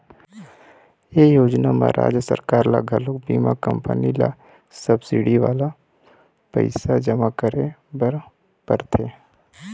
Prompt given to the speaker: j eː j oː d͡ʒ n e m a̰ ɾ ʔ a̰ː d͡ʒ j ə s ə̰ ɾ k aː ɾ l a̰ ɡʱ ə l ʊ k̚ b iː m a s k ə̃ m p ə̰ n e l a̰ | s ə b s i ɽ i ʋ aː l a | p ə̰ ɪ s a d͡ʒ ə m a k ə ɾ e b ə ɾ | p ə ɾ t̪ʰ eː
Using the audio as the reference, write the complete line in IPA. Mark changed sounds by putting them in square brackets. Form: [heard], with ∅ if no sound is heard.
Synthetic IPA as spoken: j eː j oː d͡ʒ n [a] m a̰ ɾ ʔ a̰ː d͡ʒ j ə s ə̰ ɾ k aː ɾ l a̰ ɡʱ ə l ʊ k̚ b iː m a [∅] k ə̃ m p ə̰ n [i] l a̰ | s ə b s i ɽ i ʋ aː l a | p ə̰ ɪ s a d͡ʒ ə m a k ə ɾ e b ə ɾ | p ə ɾ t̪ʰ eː